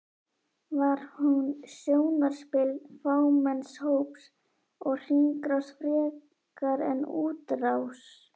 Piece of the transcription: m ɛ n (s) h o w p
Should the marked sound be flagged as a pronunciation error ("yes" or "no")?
no